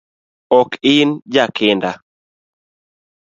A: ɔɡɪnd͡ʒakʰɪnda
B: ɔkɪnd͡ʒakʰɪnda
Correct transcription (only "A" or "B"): B